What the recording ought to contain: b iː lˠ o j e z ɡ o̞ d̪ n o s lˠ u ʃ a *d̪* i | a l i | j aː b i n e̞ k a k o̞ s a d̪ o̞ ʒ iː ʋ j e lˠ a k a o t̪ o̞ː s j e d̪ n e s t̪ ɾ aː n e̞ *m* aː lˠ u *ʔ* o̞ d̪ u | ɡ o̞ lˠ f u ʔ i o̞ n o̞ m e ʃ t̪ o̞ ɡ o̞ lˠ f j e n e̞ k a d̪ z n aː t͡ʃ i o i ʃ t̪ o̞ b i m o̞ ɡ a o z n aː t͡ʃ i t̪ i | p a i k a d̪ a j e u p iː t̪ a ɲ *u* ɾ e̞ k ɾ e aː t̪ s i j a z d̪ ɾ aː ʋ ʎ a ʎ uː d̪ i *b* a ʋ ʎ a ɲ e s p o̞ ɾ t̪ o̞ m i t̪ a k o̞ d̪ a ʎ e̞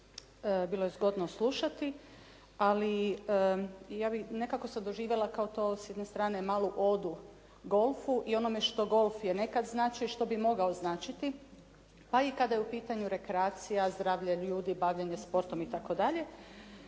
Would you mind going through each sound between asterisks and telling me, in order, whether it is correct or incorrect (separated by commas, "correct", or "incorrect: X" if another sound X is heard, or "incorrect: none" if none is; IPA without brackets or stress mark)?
incorrect: t̪, correct, correct, correct, correct